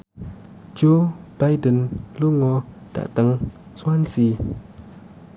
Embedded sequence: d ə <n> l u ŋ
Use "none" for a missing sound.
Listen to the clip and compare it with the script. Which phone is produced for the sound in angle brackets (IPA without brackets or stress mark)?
n